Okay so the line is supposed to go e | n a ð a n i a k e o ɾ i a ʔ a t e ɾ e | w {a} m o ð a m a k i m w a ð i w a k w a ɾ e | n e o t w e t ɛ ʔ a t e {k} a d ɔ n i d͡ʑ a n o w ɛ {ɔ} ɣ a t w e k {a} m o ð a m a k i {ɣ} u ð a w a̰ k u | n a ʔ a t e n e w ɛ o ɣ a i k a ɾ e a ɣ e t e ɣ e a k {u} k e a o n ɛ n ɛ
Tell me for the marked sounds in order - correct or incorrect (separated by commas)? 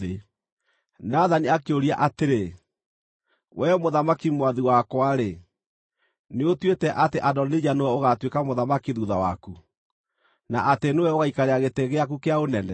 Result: incorrect, incorrect, incorrect, correct, incorrect, correct